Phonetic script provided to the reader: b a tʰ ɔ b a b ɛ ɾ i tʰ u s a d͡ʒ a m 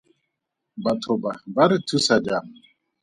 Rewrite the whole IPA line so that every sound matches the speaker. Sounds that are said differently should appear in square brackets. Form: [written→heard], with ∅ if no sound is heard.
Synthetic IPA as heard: b a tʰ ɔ b a b [ɛ→a] ɾ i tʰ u s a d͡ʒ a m